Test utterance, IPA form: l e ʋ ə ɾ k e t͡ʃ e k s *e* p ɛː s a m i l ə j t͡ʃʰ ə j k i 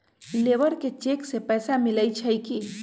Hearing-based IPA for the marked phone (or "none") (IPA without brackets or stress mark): e